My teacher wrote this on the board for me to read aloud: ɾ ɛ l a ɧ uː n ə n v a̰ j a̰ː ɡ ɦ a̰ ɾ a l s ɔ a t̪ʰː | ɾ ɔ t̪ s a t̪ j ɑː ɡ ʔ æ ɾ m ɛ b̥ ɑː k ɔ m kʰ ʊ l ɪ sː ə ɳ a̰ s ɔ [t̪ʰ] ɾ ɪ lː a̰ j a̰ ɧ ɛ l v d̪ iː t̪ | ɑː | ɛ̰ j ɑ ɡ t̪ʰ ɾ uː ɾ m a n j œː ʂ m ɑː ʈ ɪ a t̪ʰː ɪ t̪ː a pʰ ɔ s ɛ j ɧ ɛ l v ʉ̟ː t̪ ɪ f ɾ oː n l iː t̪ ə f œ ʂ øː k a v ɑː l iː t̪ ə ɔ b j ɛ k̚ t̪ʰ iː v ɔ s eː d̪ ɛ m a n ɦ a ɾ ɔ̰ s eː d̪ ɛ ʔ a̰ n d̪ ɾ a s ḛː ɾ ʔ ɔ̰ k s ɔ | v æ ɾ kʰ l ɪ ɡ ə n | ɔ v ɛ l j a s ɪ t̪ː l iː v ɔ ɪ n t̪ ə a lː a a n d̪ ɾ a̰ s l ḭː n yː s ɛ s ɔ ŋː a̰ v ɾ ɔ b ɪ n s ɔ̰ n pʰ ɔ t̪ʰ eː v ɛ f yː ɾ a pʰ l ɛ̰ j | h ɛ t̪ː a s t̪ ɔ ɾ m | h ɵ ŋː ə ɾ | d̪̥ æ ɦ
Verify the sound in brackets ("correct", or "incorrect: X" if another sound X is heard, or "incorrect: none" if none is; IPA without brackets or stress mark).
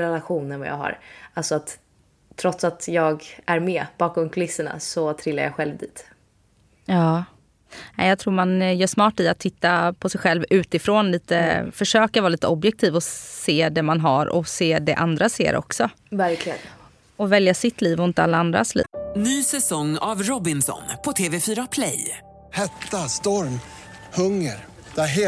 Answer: correct